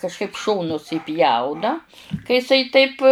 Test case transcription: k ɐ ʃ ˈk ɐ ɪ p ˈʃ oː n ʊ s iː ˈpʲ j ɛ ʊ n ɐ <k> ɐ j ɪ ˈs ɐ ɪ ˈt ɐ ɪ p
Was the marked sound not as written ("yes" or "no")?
no